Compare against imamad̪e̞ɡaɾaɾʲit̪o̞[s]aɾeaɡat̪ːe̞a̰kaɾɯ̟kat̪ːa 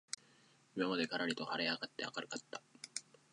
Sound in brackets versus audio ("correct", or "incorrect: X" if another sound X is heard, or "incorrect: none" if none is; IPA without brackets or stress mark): incorrect: h